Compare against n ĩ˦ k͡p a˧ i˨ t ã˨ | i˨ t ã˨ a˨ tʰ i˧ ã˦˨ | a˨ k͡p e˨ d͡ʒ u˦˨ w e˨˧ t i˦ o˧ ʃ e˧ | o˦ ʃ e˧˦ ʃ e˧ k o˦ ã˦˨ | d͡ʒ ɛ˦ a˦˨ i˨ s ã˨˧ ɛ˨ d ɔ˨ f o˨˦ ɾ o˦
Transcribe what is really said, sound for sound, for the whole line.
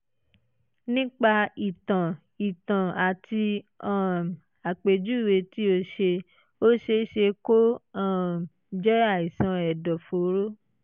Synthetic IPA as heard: n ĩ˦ k͡p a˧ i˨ t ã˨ | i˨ t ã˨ a˨ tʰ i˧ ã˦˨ | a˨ k͡p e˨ d͡ʒ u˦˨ w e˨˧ t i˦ o˧ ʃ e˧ | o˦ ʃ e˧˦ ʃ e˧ k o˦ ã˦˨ | d͡ʒ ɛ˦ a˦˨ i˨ s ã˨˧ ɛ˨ d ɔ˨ f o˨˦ ɾ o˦